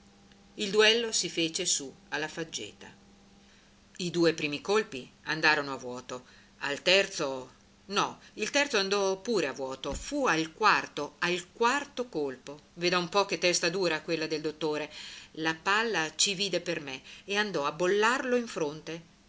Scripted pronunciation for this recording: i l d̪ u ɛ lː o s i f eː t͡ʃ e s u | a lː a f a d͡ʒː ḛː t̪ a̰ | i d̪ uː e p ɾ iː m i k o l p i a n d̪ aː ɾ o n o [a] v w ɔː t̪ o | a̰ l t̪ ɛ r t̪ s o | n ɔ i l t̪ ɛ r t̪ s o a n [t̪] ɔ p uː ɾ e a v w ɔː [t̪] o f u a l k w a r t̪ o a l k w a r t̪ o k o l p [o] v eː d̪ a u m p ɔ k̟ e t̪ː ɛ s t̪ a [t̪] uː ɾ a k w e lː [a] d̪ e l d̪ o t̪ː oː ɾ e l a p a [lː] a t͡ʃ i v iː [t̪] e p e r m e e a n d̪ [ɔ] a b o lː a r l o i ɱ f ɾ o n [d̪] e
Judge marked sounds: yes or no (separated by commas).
yes, no, yes, yes, no, yes, yes, no, yes, no